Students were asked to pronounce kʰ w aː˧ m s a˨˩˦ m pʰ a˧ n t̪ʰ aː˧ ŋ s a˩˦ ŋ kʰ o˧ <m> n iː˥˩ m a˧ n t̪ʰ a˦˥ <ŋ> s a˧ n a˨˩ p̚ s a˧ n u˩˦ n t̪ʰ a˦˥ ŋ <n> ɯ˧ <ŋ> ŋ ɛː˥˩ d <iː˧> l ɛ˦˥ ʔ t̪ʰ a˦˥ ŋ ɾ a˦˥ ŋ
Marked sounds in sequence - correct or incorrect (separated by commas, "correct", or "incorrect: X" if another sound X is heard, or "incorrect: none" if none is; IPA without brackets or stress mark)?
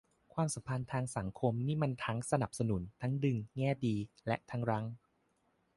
correct, correct, incorrect: d, correct, correct